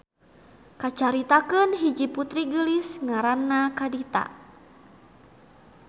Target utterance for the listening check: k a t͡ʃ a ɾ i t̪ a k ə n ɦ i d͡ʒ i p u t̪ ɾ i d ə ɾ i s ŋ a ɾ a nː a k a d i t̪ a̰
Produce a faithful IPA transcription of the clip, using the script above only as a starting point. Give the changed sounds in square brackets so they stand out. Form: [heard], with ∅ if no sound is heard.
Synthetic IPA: k a t͡ʃ a ɾ i t̪ a k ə n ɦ i d͡ʒ i p u t̪ ɾ i [ɡ] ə [l] i s ŋ a ɾ a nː a k a d i t̪ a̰